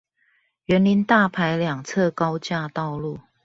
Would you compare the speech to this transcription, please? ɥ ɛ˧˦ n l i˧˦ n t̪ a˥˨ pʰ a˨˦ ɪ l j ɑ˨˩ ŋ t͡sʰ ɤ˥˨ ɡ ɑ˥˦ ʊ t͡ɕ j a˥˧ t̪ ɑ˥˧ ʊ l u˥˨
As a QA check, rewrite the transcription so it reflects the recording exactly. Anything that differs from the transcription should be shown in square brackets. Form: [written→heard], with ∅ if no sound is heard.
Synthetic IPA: ɥ ɛ˧˦ n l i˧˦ n t̪ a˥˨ pʰ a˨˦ ɪ l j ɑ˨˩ ŋ t͡sʰ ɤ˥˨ [ɡ→k] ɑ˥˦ ʊ t͡ɕ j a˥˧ t̪ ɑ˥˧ ʊ l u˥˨